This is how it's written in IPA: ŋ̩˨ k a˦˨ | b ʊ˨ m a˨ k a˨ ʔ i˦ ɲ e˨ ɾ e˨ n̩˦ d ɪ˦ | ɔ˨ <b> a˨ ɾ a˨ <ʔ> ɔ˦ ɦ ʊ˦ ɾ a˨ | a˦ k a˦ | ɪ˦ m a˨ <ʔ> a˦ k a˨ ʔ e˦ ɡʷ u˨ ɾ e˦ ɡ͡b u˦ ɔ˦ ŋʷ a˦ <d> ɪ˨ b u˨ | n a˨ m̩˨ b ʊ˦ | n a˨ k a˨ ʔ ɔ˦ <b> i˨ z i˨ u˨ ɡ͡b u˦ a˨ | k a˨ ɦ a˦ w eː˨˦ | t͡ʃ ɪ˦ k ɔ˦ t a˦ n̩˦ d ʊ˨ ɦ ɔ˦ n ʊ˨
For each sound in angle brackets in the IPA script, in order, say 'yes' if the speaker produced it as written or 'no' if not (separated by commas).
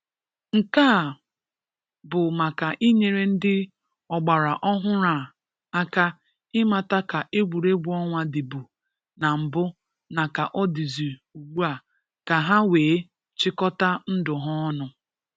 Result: no, yes, no, yes, no